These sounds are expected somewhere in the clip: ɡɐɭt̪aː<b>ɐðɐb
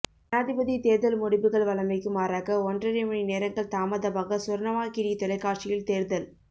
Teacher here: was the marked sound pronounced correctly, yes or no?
no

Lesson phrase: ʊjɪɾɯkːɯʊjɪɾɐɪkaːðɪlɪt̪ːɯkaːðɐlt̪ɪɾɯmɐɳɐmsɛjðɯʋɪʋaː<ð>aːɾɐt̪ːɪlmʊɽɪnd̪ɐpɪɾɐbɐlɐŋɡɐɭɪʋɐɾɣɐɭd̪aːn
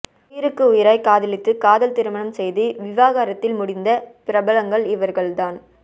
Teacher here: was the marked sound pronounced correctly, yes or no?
no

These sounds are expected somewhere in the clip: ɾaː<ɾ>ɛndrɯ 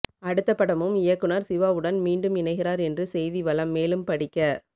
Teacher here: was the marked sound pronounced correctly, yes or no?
yes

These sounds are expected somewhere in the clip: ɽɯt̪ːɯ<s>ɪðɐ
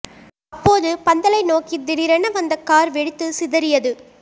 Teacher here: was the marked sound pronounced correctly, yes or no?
yes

